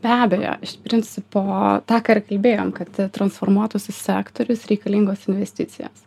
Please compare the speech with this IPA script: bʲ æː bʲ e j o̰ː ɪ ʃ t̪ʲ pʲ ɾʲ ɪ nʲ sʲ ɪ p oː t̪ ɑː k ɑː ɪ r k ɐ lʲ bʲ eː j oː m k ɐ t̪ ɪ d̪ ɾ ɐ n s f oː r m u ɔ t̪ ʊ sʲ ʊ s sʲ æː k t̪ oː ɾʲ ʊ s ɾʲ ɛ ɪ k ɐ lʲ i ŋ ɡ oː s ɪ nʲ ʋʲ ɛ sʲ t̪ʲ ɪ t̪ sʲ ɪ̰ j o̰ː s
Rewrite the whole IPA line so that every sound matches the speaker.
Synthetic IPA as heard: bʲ æː bʲ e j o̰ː ɪ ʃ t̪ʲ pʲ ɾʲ ɪ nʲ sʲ ɪ p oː t̪ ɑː k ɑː ɪ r k ɐ lʲ bʲ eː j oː m k ɐ t̪ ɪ t̪ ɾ ɐ n s f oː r m u ɔ t̪ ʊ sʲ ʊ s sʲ æː k t̪ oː ɾʲ ʊ s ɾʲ ɛ ɪ k ɐ lʲ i ŋ ɡ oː s ɪ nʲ ʋʲ ɛ sʲ t̪ʲ ɪ t̪ sʲ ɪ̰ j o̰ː s